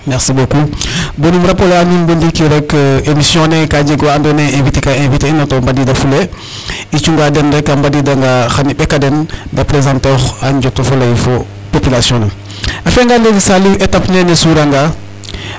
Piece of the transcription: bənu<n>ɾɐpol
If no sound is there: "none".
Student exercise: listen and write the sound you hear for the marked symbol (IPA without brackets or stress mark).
m